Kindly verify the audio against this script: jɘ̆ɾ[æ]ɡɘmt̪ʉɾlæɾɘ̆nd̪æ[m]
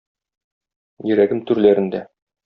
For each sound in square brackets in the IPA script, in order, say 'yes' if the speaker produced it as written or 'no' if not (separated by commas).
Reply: yes, no